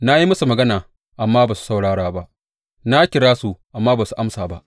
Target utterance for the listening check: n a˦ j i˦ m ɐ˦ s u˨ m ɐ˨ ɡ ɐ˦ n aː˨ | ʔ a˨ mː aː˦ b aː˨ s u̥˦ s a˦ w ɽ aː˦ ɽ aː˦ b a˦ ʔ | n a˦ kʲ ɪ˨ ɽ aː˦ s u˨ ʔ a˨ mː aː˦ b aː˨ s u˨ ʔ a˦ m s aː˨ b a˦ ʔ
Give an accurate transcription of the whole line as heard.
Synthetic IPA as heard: n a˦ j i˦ m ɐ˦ s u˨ m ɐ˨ ɡ ɐ˦ n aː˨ | ʔ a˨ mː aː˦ b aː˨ s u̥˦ s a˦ w ɽ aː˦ ɽ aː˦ b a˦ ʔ | n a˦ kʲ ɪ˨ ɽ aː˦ s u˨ ʔ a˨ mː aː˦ b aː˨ s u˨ ʔ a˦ m s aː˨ b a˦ ʔ